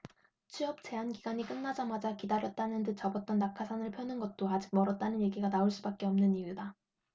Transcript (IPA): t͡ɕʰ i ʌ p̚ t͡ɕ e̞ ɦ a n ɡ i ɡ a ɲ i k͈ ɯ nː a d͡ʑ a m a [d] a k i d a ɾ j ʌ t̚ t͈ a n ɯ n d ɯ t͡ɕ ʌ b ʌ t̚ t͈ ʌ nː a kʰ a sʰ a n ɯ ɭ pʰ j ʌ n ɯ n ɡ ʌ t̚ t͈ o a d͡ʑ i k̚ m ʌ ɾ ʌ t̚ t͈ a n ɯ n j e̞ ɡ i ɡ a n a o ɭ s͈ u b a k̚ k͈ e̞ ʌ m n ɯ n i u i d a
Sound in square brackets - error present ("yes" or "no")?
yes